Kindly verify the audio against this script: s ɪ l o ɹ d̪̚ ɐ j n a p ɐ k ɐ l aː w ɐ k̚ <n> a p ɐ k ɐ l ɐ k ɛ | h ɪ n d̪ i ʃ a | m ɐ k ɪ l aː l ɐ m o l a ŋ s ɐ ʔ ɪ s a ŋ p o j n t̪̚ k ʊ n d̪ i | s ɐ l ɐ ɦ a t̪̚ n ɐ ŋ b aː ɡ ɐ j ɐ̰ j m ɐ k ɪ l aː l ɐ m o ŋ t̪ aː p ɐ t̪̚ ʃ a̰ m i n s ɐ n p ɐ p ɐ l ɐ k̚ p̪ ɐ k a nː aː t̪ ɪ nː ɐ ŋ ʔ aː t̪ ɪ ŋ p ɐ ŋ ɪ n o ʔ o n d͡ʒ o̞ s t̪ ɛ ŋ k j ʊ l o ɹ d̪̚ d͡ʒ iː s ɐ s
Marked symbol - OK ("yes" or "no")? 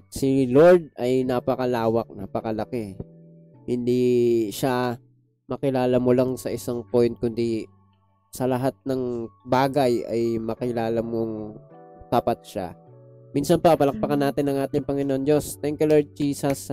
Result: yes